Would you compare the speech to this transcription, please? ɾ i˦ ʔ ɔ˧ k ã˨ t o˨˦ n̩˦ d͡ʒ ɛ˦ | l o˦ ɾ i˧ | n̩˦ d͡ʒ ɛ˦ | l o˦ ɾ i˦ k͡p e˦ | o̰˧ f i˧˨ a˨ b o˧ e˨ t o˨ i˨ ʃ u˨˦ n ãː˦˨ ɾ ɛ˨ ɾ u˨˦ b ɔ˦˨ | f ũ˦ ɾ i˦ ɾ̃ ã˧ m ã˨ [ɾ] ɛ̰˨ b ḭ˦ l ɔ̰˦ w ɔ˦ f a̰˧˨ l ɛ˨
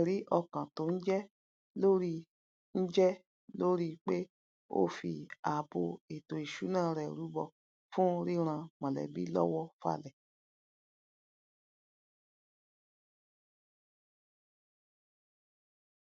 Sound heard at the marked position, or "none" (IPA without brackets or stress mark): l